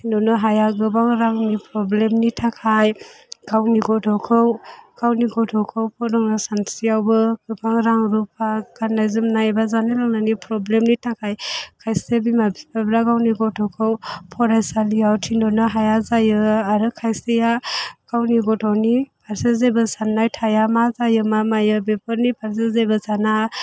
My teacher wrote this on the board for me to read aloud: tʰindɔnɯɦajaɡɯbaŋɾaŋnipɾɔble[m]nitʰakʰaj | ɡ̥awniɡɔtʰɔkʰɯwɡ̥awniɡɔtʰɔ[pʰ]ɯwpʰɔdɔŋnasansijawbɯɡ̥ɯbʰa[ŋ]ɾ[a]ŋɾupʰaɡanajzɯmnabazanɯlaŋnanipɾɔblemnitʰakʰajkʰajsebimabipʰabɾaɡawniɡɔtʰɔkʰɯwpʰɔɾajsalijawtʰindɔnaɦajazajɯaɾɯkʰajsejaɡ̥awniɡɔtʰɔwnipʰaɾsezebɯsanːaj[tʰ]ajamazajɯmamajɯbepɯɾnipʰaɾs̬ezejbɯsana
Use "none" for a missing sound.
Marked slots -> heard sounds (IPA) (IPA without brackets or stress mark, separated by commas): m, kʰ, ŋ, a, tʰ